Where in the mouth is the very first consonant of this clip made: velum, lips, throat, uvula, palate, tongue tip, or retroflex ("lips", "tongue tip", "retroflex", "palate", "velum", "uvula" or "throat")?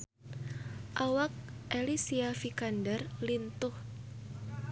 throat